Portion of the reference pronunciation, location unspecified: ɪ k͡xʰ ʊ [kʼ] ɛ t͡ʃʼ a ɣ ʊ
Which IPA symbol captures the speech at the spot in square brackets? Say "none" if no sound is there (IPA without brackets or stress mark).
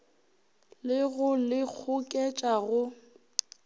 kʼ